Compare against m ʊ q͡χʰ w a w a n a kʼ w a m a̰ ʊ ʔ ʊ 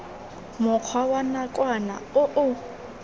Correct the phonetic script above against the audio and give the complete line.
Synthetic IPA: m ʊ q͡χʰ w a w a n a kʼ w a n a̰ ʊ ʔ ʊ